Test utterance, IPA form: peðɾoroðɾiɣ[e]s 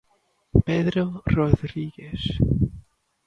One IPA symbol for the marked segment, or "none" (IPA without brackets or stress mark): e